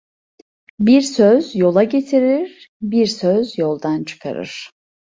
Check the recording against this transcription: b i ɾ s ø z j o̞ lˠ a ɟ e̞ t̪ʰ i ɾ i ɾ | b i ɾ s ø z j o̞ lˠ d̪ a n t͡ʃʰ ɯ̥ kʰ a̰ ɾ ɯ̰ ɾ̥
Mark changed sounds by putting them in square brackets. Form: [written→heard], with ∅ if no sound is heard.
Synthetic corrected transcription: b i ɾ s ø z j o̞ lˠ a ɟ e̞ t̪ʰ i ɾ i ɾ | b i ɾ s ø z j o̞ lˠ d̪ a n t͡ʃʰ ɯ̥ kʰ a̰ ɾ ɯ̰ ɾ̥